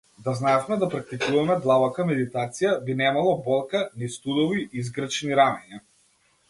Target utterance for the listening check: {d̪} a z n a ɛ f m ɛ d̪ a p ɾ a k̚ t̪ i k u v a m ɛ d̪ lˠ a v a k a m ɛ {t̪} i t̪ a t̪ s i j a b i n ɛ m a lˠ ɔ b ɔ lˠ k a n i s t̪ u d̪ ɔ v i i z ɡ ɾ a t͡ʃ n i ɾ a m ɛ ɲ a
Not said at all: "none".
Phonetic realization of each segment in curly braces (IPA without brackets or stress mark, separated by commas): d̪, d̪